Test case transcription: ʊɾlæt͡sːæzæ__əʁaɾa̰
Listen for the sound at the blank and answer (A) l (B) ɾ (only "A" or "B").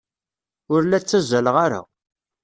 A